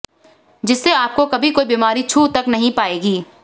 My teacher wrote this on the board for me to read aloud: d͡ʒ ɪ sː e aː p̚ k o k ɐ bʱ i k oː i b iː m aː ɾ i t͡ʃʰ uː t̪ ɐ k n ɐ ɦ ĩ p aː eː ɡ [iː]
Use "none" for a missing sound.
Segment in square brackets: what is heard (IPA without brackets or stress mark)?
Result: iː